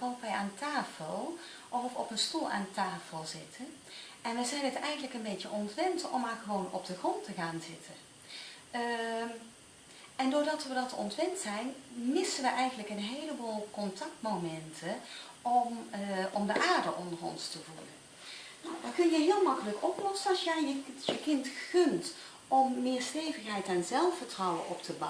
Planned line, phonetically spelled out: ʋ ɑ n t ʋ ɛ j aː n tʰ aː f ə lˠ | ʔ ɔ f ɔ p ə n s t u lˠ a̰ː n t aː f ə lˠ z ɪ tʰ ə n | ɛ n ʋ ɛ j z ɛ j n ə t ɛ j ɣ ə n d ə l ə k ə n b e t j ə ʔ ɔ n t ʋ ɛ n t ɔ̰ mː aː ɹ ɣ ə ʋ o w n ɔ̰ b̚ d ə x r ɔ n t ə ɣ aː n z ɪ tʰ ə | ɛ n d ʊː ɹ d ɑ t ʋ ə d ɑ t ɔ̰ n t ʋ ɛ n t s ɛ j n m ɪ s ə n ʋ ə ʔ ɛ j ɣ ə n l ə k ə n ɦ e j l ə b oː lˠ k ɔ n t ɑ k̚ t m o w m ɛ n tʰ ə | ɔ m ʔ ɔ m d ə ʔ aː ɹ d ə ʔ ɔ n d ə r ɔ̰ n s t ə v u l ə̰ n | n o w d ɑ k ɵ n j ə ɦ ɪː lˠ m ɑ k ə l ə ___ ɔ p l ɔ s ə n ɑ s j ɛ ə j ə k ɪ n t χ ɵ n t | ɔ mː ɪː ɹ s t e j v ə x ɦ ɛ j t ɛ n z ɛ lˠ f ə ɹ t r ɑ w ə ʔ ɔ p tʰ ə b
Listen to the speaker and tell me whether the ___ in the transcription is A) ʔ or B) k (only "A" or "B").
B